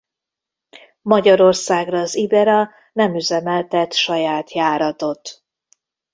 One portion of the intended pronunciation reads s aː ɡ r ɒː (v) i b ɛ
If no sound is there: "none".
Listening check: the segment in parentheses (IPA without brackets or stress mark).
z